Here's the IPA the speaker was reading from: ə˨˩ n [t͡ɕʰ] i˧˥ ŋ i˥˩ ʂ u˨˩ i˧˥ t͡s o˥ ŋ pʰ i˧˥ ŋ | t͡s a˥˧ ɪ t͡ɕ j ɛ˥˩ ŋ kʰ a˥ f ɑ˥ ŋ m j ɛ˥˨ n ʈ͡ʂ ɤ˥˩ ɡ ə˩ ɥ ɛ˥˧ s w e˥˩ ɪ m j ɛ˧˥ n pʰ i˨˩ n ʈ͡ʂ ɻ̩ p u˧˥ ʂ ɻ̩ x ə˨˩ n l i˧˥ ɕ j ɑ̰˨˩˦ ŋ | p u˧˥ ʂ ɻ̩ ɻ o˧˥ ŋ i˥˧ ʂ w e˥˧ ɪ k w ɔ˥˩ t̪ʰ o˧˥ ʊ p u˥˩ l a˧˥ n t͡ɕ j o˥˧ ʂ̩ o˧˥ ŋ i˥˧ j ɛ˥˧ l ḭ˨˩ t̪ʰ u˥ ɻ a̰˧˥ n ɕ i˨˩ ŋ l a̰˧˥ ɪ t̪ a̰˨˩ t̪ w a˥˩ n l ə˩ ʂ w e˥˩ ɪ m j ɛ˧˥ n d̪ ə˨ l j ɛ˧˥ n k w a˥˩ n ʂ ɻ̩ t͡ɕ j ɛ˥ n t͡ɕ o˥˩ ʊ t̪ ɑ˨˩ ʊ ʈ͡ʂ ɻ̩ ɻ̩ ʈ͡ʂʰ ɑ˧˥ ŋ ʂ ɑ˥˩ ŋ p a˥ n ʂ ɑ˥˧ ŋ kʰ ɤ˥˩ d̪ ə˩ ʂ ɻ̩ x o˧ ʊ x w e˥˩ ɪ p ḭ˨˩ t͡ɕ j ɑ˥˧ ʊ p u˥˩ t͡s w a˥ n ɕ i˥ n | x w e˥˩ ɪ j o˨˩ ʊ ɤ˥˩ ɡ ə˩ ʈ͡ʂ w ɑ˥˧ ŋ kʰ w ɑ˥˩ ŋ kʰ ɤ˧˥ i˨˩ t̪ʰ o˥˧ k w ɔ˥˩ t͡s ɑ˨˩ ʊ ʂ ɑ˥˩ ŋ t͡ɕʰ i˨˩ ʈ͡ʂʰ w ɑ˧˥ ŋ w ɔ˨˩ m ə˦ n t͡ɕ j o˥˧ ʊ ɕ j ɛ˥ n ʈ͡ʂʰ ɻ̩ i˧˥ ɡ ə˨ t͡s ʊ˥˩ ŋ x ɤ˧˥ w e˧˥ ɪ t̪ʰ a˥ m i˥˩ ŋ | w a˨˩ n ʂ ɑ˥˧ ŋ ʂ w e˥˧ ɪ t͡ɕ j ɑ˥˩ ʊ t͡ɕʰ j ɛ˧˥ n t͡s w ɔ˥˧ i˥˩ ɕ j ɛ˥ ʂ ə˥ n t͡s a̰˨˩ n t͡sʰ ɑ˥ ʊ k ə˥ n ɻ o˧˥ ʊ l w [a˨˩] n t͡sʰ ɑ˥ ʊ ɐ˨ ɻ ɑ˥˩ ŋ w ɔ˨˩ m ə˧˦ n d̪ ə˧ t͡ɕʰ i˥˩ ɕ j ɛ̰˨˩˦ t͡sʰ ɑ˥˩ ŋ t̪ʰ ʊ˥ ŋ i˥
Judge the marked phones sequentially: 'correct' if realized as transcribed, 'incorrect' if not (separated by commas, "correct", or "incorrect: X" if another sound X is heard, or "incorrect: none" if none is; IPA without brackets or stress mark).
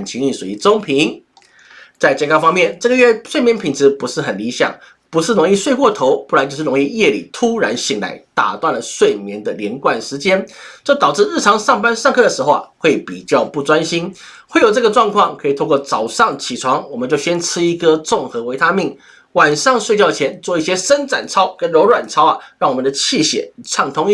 correct, correct